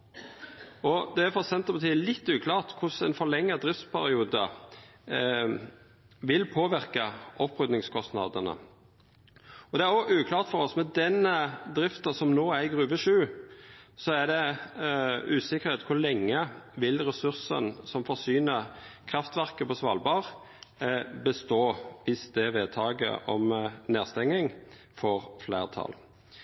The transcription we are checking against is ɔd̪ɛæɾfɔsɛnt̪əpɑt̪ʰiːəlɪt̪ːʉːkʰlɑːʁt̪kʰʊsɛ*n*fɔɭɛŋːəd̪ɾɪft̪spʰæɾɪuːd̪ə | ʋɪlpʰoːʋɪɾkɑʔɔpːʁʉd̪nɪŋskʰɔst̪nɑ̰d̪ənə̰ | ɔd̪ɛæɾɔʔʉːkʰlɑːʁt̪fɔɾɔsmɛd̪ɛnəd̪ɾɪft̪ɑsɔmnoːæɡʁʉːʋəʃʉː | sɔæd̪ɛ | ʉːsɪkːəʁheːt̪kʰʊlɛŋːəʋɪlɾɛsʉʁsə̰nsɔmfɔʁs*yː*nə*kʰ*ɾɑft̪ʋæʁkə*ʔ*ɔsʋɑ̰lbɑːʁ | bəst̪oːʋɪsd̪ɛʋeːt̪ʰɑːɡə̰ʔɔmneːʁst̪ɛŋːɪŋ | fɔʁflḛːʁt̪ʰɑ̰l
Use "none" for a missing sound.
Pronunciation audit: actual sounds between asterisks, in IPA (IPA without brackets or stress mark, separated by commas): n, yː, kʰ, p